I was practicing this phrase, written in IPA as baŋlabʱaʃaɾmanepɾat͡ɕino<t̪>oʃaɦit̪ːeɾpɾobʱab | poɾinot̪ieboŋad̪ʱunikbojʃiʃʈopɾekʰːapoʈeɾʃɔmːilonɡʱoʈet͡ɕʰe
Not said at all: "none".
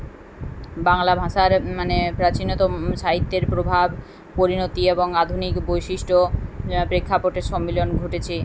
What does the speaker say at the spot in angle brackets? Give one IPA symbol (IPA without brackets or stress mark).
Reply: t̪